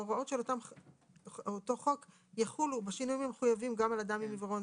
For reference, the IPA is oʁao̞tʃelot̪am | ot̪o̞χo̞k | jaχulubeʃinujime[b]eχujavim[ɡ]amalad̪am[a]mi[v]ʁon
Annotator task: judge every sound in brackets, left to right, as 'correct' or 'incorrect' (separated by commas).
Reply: incorrect, correct, incorrect, correct